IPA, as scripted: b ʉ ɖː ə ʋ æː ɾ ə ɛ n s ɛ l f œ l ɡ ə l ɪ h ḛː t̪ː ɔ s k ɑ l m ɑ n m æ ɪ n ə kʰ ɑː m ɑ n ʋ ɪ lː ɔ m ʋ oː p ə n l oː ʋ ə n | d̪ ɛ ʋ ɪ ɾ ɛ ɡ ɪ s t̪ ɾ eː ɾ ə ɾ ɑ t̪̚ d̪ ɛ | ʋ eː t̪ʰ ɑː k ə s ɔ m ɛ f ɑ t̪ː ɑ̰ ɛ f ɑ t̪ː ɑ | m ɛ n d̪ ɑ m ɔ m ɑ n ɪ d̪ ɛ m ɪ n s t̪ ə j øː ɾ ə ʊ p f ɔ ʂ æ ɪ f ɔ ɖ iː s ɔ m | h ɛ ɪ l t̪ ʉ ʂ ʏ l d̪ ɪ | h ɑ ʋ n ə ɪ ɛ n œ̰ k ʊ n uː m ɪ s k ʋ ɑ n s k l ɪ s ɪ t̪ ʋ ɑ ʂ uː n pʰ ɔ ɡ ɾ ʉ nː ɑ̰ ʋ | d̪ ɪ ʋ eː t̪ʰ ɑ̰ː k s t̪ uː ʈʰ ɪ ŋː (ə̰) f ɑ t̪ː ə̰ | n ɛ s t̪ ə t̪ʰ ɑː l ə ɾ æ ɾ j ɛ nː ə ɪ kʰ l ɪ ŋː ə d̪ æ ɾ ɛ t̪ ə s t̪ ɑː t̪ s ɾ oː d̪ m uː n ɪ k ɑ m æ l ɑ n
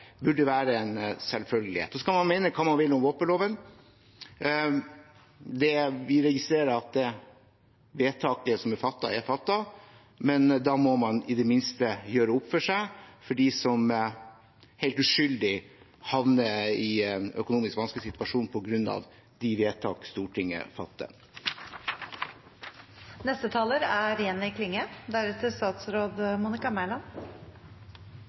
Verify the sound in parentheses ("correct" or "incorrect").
correct